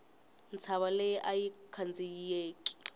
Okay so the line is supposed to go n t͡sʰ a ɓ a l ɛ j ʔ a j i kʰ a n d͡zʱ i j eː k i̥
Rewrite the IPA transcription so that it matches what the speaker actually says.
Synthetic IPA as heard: n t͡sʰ a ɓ a l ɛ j ʔ a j i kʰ a n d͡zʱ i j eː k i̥